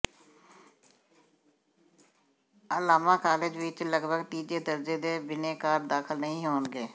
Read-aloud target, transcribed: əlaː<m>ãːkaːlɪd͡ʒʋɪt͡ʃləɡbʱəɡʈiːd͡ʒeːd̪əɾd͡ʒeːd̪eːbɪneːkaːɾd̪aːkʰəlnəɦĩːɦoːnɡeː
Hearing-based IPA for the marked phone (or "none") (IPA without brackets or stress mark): m